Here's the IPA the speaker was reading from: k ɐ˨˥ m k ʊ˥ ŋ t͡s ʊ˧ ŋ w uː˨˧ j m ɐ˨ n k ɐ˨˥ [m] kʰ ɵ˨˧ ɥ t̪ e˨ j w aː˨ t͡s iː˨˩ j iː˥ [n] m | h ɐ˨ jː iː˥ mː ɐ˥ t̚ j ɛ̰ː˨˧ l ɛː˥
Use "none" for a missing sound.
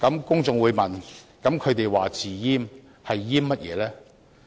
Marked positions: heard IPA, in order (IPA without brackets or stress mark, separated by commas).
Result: m, none